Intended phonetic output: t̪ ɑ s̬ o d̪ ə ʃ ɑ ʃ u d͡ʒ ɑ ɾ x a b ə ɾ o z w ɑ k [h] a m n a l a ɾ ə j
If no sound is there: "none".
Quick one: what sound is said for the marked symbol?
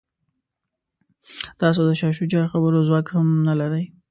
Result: h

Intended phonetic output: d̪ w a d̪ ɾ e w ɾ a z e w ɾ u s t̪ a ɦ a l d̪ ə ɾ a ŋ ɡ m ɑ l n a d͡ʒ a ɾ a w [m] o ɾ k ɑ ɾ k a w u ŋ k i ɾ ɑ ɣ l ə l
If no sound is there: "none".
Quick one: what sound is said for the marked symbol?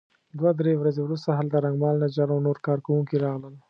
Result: n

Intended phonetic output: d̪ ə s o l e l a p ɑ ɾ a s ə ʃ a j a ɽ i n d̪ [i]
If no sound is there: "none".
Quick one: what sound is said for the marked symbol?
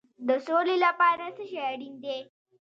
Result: e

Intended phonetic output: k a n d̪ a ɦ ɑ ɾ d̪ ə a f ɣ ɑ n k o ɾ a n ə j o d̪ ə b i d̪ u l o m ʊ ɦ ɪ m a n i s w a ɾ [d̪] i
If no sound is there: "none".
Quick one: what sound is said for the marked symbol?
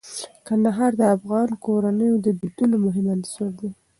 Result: d̪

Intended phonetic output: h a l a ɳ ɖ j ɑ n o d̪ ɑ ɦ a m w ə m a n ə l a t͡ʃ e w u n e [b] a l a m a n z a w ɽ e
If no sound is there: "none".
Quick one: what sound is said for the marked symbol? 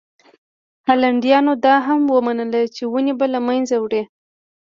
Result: b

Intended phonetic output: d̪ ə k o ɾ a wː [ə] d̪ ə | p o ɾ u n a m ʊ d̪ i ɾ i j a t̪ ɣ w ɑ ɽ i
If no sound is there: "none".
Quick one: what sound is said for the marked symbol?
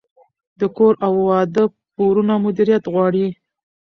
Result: ɑ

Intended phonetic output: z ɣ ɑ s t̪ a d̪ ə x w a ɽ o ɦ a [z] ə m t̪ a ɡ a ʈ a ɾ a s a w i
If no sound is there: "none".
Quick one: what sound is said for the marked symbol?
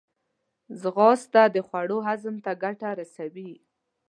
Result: z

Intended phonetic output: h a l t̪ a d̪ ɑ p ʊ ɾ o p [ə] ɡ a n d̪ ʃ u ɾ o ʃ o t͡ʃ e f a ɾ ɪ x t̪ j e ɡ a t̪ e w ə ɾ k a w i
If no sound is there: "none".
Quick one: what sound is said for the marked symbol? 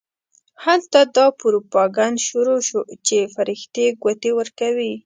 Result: ɑ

